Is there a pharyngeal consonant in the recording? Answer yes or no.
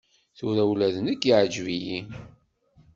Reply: yes